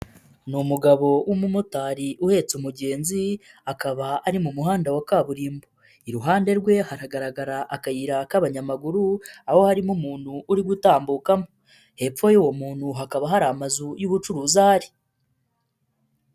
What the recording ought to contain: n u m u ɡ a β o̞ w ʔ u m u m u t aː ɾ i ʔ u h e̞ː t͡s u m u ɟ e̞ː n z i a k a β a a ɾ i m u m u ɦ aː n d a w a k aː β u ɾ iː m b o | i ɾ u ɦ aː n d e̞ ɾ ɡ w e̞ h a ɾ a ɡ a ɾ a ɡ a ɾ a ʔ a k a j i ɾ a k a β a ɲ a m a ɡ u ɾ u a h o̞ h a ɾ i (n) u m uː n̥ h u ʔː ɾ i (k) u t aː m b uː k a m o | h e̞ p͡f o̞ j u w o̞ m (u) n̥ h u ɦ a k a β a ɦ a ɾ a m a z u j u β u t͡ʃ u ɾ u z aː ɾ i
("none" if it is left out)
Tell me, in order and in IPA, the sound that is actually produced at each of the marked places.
m, ɡ, uː

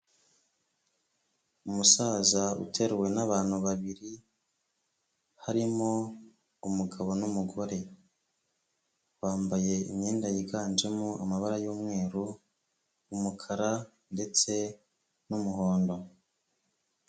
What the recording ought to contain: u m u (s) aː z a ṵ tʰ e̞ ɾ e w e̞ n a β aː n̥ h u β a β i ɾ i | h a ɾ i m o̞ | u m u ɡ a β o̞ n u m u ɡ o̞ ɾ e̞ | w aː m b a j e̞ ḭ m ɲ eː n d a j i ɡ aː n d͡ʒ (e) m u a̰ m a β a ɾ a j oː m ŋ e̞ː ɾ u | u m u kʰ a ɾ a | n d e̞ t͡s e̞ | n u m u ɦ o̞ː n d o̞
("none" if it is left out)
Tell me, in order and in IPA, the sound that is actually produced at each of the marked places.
s, e

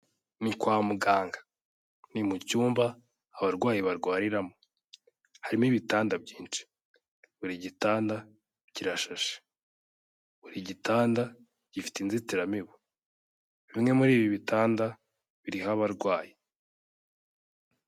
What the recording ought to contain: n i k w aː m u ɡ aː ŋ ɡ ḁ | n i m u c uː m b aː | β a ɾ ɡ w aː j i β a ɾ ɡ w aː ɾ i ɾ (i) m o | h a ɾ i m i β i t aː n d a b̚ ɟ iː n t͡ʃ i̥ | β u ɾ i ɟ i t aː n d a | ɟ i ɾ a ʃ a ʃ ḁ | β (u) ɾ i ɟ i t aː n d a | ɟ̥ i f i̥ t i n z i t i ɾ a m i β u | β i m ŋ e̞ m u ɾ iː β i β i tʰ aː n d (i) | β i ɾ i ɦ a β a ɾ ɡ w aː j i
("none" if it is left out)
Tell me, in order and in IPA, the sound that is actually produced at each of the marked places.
a, u, a

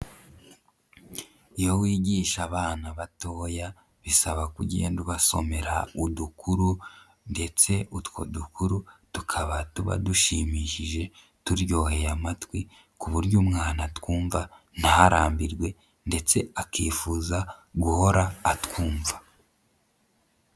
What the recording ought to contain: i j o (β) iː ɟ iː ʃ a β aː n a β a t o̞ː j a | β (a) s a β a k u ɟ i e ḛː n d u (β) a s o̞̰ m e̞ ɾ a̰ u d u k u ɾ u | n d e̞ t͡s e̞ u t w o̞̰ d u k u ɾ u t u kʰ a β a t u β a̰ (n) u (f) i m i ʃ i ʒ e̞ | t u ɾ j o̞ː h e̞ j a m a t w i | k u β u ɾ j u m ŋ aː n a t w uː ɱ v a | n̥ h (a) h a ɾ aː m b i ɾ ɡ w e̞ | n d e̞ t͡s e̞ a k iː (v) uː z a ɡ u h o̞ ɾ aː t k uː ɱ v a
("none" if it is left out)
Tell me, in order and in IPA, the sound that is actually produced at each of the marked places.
w, i, β, d, ʃ, a, f

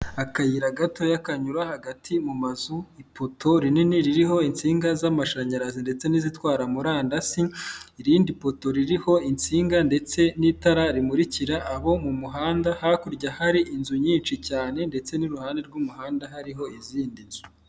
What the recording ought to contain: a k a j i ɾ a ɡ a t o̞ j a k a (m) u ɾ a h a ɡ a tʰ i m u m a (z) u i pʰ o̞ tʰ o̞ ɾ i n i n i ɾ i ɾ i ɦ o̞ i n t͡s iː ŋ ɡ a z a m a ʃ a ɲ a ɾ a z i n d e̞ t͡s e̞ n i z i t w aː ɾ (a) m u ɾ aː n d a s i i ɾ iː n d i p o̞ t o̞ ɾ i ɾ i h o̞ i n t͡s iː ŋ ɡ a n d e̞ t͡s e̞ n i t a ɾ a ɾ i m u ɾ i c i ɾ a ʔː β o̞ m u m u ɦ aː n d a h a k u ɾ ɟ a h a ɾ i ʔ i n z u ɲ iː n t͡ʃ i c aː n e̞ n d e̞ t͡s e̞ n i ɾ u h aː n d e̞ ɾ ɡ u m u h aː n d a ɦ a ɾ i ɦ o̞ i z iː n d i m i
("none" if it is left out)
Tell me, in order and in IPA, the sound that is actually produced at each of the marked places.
ɲ, z, a

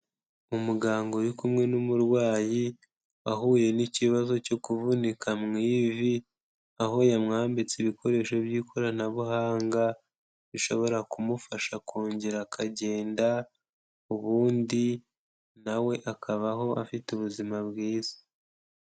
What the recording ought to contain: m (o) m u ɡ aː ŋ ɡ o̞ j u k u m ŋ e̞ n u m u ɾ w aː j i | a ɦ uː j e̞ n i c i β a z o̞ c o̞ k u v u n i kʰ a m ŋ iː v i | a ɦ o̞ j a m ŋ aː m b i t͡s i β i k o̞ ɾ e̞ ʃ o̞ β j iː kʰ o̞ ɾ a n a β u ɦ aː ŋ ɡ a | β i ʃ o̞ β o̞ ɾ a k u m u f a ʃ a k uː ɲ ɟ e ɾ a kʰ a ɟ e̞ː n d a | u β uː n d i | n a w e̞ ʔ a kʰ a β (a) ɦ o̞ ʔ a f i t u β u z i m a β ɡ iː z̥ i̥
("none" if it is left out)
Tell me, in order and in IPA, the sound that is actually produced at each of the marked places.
u, a

